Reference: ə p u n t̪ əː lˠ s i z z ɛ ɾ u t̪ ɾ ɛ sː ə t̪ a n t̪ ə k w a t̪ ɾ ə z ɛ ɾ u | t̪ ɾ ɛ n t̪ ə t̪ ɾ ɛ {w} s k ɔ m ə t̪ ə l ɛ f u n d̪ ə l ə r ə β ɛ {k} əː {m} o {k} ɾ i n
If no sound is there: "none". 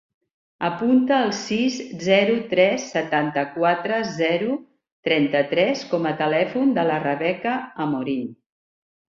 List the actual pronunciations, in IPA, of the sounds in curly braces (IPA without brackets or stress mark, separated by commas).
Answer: none, k, m, none